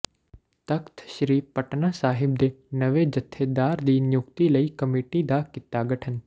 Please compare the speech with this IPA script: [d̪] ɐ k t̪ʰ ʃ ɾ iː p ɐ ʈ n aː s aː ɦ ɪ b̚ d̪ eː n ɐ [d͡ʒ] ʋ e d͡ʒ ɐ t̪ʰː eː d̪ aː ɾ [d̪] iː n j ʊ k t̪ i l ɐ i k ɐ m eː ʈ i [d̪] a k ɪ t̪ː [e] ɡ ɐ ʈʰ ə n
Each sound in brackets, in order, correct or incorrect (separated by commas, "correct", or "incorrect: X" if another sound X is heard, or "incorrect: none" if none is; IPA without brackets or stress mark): incorrect: t̪, incorrect: none, correct, correct, incorrect: a